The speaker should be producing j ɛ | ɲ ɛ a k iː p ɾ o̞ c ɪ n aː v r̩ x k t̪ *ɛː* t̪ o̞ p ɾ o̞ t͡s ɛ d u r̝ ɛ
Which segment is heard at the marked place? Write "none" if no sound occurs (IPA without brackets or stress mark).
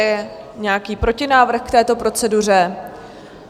ɛː